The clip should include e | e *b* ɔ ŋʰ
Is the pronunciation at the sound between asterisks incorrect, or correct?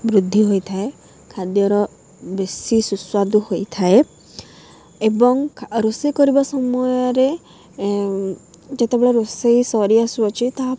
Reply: correct